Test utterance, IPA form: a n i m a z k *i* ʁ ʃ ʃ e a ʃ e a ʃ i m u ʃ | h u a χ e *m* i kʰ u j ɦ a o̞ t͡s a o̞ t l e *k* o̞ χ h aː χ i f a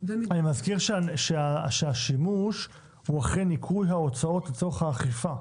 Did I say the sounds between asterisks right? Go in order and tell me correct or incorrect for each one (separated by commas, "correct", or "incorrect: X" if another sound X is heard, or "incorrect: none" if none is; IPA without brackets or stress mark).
correct, incorrect: n, incorrect: t